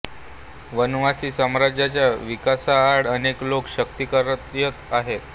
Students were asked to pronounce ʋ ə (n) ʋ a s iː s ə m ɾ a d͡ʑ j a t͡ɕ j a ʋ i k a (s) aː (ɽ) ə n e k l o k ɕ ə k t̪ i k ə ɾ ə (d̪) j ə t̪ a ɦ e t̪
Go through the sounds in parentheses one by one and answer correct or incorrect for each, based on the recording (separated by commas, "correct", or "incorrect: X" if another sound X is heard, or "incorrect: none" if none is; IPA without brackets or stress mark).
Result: correct, correct, correct, incorrect: t̪